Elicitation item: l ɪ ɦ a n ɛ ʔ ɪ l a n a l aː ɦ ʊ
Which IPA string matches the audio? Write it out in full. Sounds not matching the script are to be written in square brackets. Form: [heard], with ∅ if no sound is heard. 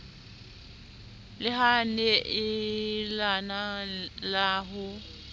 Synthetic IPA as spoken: l ɪ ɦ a n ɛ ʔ ɪ l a n a l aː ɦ ʊ